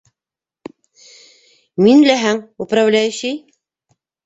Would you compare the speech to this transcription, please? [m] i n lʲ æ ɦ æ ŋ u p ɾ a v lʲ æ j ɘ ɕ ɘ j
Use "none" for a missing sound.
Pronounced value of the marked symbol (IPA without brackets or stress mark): m